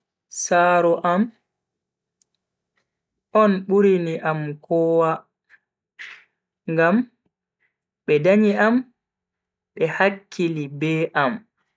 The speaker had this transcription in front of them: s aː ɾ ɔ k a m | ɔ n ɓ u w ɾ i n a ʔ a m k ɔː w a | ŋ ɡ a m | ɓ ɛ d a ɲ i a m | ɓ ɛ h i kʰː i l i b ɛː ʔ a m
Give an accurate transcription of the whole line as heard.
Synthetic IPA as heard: s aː ɾ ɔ ʔ a m | ɔ n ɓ u ɾ i n i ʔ a m k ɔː w a | ŋ ɡ a m | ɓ ɛ d a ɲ i a m | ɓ ɛ h a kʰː i l i b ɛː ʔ a m